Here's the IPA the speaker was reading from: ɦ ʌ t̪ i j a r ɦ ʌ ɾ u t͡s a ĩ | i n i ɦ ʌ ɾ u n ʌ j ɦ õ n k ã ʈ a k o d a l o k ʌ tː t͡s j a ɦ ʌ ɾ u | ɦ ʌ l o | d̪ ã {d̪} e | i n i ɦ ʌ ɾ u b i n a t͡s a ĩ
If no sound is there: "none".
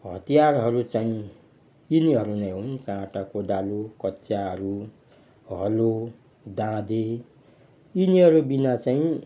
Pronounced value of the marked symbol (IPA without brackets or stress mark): d̪